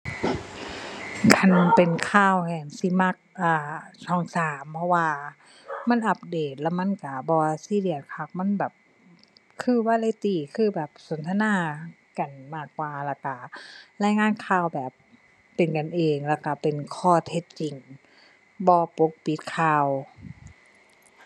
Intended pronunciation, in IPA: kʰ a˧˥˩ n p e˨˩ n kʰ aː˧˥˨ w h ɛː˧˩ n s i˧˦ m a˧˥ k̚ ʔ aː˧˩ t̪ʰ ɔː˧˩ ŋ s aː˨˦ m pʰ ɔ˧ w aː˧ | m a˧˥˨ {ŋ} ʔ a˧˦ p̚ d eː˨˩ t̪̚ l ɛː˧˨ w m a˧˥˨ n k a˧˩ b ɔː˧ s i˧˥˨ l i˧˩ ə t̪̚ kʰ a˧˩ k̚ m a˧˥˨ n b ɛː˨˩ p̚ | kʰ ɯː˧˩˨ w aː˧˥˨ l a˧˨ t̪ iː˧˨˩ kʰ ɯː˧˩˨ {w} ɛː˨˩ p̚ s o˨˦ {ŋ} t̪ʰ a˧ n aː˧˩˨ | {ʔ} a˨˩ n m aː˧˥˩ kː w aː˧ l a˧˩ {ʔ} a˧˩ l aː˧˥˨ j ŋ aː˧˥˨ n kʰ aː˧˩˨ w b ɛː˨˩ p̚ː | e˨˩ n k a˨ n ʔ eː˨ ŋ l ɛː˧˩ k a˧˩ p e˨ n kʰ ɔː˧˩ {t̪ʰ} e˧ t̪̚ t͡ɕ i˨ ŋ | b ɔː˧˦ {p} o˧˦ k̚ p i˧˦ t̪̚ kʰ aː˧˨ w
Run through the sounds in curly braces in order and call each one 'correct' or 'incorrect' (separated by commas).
incorrect, incorrect, incorrect, incorrect, incorrect, correct, correct